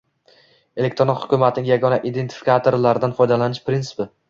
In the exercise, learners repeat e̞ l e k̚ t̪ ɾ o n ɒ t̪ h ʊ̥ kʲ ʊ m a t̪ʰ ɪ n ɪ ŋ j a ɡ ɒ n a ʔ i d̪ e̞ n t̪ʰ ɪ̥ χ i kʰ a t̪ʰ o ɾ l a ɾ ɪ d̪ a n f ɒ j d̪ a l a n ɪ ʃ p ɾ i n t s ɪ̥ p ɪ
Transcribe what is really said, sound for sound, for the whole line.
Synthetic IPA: e̞ l e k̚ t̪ ɾ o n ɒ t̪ h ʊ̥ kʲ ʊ m a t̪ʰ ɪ n ɪ ŋ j a ɡ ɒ n a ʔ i d̪ e̞ n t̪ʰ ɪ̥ f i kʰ a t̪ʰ o ɾ l a ɾ ɪ d̪ a n f ɒ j d̪ a l a n ɪ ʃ p ɾ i n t s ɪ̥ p ɪ